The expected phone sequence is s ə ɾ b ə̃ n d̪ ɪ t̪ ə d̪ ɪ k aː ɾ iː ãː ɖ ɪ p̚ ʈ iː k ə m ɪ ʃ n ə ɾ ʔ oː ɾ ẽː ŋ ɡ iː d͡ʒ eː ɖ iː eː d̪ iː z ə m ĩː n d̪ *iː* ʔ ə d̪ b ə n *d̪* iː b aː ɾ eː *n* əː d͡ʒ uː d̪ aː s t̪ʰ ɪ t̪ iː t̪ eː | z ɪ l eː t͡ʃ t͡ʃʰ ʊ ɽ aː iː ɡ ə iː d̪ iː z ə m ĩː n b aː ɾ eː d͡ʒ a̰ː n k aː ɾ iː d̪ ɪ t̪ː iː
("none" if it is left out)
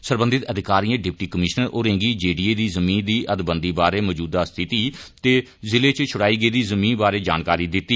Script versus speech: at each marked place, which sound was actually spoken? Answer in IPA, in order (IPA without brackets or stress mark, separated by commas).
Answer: iː, d̪, m